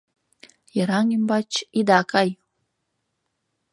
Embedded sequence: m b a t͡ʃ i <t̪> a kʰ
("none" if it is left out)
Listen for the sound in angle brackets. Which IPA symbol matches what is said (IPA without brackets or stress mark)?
d̪